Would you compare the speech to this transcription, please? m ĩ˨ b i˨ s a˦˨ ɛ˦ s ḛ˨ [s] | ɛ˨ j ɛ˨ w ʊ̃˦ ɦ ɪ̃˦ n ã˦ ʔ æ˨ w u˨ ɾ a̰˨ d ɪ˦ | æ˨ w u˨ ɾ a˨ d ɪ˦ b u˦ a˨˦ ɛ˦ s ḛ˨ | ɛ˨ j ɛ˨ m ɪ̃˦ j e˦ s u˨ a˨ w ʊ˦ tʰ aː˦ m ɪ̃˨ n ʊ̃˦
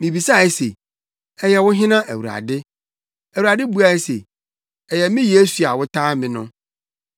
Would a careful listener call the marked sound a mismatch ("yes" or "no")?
yes